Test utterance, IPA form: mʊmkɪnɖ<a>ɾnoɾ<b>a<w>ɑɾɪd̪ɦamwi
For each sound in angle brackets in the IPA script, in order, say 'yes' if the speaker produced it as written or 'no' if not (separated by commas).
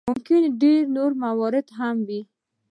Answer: no, no, yes